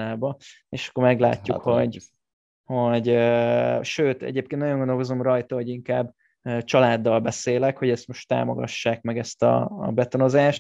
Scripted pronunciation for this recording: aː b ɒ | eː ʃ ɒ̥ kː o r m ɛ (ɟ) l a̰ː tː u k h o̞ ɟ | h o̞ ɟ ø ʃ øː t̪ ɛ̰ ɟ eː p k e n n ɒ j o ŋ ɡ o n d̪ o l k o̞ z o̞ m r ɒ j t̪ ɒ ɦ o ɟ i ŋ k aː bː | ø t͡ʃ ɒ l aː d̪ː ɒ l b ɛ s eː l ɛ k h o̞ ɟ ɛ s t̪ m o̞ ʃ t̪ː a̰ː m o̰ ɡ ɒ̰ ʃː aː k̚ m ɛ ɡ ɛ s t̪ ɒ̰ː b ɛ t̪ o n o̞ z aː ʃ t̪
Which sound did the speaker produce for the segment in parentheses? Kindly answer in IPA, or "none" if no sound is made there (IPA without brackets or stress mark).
ɡ